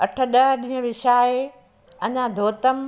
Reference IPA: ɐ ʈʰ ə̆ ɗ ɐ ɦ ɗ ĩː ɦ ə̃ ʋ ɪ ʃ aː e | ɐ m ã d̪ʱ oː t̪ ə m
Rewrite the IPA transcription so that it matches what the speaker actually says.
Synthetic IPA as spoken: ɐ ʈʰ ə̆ ɗ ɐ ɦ ɗ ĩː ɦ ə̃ ʋ ɪ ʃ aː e | ɐ ɲ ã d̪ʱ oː t̪ ə m